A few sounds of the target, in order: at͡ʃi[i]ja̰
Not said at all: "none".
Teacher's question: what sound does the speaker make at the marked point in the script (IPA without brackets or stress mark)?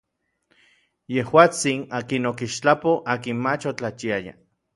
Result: a